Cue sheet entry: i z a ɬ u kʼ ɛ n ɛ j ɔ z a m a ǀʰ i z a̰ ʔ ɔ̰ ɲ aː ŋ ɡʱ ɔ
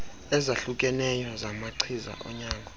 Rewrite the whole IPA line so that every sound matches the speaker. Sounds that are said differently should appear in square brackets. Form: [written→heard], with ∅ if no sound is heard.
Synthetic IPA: [i→ɛ] z a ɬ u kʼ ɛ n ɛ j ɔ z a m a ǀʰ i z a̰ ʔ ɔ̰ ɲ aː ŋ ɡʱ ɔ

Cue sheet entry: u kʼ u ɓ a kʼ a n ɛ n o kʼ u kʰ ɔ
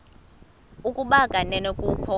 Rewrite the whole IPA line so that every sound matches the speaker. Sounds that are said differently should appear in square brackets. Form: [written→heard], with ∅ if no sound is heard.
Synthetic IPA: u kʼ u ɓ a kʼ a n ɛ n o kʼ u kʰ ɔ

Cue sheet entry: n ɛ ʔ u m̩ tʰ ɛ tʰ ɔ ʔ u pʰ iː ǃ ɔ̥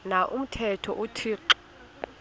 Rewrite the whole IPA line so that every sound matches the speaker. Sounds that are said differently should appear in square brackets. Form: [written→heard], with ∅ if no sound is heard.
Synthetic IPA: n [ɛ→a] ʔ u m̩ tʰ ɛ tʰ ɔ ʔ u [pʰ→tʰ] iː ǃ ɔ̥

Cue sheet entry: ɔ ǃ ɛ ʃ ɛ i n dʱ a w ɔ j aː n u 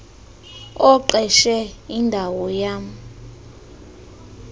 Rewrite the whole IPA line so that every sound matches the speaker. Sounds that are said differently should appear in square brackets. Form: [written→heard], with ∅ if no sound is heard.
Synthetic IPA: ɔ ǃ ɛ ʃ ɛ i n dʱ a w ɔ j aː [n→m] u

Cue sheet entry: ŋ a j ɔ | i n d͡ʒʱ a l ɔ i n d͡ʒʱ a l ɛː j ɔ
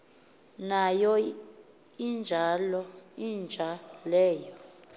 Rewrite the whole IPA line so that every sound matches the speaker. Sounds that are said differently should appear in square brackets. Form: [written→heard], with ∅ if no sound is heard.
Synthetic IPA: [ŋ→n] a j ɔ | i n d͡ʒʱ a l ɔ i n d͡ʒʱ a l ɛː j ɔ

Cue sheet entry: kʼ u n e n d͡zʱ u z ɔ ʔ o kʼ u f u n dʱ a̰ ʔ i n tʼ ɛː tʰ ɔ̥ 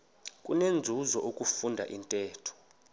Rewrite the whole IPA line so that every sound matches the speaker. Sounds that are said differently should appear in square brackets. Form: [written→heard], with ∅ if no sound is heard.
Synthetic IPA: kʼ u n e n d͡zʱ u z ɔ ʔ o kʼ u f u n dʱ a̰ ʔ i n tʼ ɛː tʰ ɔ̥

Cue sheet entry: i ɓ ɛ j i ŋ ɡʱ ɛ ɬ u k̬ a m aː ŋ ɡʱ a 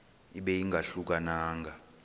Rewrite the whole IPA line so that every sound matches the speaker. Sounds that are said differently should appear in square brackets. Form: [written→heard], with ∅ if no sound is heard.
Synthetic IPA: i ɓ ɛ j i ŋ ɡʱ [ɛ→a] ɬ u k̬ a [m→n] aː ŋ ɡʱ a

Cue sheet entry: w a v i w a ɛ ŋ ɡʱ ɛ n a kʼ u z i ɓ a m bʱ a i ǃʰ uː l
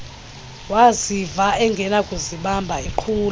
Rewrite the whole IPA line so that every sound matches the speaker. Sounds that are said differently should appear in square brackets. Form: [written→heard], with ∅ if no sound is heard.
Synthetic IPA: w a [v→z] i [w→v] a ɛ ŋ ɡʱ ɛ n a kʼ u z i ɓ a m bʱ a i ǃʰ uː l

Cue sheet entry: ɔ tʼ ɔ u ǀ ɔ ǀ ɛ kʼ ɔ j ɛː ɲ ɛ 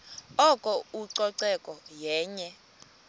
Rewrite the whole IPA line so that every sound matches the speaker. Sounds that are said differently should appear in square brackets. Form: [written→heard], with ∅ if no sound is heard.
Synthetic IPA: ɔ [tʼ→kʼ] ɔ u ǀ ɔ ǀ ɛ kʼ ɔ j ɛː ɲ ɛ

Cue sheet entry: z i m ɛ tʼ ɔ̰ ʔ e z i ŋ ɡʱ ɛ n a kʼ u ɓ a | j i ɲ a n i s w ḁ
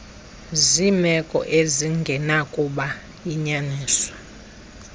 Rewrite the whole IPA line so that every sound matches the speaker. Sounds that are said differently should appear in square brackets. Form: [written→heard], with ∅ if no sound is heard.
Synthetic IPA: z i m ɛ [tʼ→kʼ] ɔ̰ ʔ e z i ŋ ɡʱ ɛ n a kʼ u ɓ a | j i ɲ a n [i→iː] s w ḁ

